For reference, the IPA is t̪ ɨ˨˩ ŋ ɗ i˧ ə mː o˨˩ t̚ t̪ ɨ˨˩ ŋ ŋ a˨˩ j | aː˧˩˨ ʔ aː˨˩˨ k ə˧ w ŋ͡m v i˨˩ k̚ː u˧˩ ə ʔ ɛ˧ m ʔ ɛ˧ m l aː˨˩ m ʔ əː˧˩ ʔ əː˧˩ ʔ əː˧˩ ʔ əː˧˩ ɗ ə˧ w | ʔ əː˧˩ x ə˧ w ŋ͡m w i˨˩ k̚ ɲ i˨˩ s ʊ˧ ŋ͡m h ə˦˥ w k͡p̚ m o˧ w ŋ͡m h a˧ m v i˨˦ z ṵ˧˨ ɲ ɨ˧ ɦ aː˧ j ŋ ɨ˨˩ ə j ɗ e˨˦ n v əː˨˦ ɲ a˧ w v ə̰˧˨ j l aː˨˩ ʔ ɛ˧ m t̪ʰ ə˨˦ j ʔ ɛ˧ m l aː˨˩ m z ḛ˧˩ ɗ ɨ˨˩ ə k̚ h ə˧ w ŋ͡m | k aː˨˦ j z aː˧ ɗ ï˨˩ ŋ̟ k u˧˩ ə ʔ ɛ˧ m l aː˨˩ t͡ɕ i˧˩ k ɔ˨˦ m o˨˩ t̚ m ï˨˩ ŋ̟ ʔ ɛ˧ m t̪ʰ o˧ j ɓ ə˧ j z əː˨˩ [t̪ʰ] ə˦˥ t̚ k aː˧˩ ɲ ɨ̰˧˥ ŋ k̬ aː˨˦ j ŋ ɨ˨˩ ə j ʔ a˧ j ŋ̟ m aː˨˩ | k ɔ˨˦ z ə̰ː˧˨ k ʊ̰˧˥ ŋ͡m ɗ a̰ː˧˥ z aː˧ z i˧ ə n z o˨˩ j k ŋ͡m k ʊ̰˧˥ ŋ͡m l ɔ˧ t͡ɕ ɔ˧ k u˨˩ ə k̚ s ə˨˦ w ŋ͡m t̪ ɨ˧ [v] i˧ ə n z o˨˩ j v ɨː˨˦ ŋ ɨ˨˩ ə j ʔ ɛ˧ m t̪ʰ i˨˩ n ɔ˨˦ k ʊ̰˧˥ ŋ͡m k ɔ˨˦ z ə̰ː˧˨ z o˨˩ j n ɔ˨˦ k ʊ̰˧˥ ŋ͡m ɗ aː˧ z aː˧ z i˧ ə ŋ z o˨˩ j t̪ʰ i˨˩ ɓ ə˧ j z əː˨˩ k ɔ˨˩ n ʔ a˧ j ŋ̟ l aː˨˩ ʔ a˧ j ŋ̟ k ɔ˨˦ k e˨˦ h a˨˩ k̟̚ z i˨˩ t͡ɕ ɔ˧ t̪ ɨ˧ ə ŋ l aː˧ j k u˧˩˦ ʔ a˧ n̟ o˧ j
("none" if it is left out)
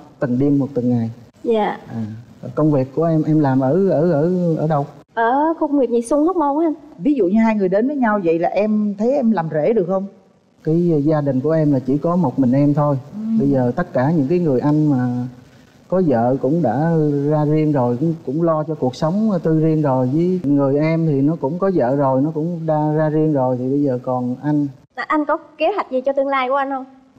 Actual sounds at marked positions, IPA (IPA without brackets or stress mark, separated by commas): t̪, z